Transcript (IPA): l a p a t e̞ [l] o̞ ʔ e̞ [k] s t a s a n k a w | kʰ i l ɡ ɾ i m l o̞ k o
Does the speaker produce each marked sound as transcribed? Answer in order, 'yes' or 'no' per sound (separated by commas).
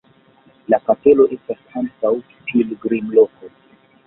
yes, no